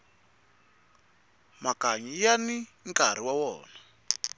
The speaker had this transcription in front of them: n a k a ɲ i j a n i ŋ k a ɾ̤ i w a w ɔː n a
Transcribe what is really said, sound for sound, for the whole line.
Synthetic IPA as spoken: m a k a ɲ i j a n i ŋ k a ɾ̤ i w a w ɔː n a